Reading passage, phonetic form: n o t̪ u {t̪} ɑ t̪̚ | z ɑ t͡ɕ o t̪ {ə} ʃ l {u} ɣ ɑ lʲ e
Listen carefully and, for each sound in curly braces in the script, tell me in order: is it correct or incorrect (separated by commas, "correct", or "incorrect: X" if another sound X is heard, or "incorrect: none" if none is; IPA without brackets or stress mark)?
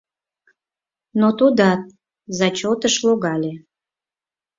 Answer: incorrect: d̪, correct, incorrect: o